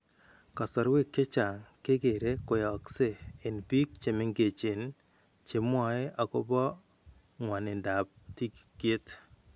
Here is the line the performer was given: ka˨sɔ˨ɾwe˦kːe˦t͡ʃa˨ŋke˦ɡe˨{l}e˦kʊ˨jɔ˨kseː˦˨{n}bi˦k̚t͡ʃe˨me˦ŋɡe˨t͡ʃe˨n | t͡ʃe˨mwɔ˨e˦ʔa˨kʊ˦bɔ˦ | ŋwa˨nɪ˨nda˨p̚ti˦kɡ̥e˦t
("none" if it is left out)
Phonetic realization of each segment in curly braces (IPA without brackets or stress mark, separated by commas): ɾ, n